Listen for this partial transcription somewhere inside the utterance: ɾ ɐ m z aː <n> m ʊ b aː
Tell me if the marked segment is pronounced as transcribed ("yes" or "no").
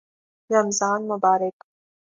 yes